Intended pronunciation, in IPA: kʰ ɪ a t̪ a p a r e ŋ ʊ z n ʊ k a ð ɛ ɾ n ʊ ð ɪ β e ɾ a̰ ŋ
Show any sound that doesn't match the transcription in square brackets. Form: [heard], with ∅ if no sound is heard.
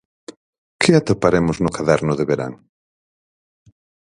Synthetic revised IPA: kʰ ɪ a t̪ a p a [ɾ] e [m] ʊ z n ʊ k a ð ɛ ɾ n ʊ ð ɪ β e ɾ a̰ ŋ